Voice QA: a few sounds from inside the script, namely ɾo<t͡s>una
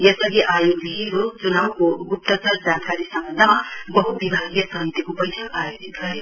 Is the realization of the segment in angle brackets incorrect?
no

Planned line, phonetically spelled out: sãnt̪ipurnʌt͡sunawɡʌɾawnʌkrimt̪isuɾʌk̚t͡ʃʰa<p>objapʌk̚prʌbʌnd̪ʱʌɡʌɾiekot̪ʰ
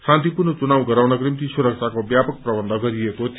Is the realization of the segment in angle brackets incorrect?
yes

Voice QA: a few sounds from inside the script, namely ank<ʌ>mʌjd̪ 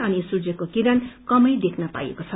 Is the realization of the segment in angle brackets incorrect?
no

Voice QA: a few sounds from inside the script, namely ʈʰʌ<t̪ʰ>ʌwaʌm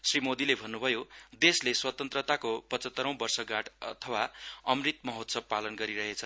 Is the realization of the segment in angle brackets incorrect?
no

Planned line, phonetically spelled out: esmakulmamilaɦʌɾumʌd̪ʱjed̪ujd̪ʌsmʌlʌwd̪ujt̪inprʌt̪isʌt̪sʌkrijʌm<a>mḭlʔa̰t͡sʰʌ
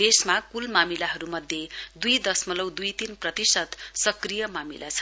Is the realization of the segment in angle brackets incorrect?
no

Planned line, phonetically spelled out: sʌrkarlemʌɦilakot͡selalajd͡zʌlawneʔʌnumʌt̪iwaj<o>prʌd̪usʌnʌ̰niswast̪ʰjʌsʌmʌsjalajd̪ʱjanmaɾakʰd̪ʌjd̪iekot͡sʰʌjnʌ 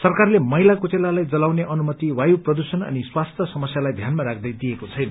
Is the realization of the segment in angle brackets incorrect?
yes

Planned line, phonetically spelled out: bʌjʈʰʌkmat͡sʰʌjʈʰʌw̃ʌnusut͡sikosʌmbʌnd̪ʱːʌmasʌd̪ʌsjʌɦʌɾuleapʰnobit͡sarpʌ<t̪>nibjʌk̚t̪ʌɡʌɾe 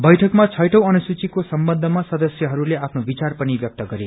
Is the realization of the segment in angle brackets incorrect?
yes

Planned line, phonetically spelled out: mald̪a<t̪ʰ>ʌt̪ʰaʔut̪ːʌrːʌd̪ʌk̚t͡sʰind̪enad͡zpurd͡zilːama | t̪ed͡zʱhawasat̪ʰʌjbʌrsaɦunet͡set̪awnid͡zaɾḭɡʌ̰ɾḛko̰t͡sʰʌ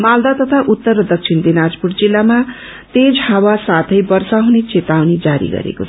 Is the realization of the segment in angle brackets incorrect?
yes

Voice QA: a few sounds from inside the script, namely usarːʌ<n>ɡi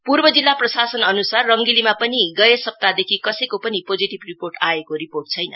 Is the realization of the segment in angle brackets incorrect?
yes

